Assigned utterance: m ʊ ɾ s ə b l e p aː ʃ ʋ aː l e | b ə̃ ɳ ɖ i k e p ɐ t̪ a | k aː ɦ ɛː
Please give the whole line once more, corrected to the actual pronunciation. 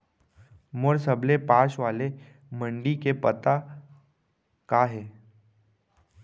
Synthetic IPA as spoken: m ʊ ɾ s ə b l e p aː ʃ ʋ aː l e | m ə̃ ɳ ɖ i k e p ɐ t̪ a | k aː ɦ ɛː